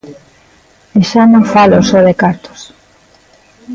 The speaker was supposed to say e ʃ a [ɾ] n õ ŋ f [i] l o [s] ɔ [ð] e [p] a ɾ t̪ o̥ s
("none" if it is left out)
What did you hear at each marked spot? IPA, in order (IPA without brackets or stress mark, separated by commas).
none, a, s, ð, k